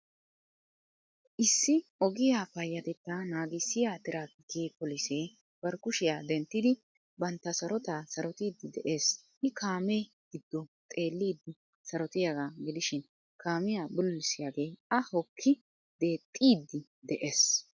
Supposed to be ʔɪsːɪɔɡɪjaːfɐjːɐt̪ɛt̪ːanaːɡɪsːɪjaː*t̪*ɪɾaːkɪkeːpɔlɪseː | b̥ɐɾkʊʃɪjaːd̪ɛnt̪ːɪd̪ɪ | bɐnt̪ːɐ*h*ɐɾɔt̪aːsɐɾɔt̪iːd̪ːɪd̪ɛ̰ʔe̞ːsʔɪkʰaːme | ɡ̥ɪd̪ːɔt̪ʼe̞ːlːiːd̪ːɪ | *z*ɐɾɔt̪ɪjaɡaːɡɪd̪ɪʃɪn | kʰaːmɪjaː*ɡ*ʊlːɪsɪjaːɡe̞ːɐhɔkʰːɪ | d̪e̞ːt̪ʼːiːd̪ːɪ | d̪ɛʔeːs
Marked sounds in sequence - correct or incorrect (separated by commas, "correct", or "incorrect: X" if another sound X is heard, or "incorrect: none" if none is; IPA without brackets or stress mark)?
correct, incorrect: s, incorrect: s, incorrect: b